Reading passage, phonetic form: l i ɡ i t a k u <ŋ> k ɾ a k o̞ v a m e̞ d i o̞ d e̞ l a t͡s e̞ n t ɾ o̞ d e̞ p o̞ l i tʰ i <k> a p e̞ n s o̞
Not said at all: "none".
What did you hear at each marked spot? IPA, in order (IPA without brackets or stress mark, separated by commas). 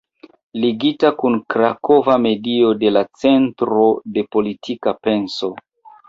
n, k